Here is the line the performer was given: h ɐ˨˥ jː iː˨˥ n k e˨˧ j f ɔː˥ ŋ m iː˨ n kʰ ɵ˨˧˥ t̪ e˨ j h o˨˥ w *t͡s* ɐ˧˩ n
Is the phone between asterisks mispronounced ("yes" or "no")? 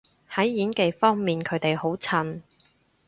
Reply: yes